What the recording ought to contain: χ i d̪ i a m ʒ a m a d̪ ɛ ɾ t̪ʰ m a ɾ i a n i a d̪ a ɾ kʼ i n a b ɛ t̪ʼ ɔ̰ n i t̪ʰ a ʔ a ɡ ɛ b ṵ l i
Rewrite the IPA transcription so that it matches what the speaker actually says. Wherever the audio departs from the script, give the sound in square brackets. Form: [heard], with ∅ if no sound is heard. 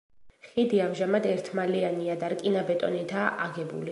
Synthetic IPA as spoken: χ i d̪ i a m ʒ a m a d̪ ɛ ɾ t̪ʰ m a [l] i a n i a d̪ a ɾ kʼ i n a b ɛ t̪ʼ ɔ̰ n i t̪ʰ a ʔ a ɡ ɛ b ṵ l i